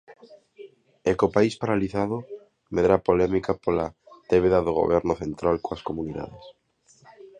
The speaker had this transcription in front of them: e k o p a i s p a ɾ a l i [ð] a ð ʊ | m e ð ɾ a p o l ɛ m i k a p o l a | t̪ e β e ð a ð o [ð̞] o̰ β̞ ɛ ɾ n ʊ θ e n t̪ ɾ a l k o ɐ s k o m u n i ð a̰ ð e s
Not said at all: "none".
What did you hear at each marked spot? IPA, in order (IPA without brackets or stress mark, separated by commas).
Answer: θ, ɣ̞